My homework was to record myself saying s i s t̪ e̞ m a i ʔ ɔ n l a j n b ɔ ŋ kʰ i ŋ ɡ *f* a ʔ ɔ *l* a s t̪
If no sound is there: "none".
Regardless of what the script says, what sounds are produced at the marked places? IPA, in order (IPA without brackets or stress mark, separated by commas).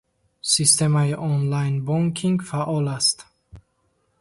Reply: f, l